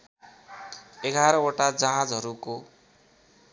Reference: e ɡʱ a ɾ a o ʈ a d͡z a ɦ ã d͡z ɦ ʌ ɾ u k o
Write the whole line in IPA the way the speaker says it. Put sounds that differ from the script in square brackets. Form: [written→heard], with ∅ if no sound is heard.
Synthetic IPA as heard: e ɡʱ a ɾ [a→ʌ] o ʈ a d͡z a ɦ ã d͡z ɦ ʌ ɾ u k o